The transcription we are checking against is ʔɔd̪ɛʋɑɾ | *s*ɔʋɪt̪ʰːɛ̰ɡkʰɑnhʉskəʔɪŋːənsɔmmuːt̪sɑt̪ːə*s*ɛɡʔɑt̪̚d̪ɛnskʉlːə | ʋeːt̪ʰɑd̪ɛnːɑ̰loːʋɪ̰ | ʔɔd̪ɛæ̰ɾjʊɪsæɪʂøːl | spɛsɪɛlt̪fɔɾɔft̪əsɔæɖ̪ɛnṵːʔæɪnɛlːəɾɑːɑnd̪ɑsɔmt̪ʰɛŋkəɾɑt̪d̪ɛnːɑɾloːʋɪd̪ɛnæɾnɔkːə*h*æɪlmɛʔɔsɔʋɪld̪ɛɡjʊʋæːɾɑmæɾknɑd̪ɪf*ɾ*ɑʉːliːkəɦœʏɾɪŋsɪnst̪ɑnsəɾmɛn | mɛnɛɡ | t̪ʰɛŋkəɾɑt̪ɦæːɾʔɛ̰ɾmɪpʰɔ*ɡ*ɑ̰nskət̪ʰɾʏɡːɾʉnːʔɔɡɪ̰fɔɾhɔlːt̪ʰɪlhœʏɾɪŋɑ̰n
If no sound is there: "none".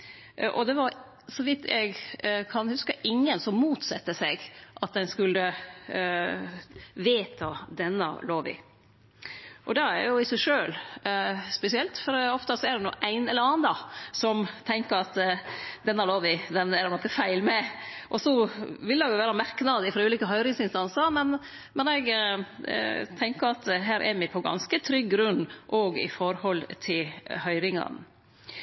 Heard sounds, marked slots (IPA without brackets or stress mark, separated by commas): s, s, f, ɾ, ɡ